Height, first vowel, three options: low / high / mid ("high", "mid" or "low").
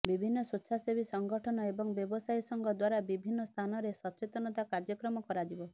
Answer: high